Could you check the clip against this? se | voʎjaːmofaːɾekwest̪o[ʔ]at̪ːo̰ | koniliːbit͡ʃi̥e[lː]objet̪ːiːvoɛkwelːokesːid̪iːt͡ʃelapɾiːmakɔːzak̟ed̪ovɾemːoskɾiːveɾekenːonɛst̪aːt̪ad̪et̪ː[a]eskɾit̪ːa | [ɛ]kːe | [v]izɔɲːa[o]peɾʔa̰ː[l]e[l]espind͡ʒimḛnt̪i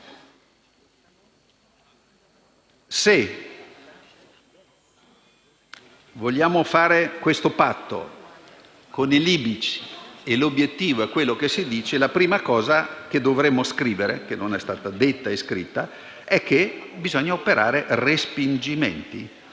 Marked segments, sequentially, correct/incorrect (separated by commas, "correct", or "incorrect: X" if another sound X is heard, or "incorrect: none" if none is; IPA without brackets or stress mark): incorrect: p, incorrect: l, correct, correct, incorrect: b, correct, incorrect: ɾ, incorrect: r